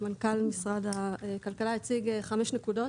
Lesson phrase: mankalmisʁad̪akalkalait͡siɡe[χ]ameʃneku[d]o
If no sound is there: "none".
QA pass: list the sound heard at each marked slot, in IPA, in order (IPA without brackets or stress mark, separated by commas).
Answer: χ, d